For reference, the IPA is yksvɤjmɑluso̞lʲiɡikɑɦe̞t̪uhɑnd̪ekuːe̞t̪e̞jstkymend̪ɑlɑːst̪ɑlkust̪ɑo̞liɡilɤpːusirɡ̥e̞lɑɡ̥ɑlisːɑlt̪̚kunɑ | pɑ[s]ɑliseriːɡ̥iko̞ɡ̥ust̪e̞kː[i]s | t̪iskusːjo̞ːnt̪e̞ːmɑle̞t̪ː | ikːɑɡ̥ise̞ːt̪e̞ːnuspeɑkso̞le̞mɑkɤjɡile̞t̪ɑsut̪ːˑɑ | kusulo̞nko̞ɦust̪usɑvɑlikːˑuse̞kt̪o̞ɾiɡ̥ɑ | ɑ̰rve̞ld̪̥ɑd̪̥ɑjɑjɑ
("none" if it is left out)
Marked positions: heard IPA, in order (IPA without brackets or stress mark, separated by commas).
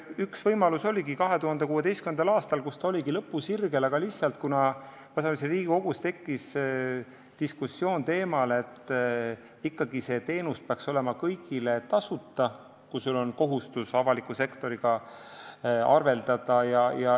s, i